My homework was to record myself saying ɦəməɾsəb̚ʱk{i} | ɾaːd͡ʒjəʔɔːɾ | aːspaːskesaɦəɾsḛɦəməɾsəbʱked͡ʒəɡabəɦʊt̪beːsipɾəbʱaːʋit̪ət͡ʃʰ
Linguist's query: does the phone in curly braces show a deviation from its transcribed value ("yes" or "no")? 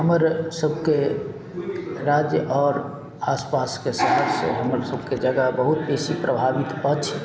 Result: yes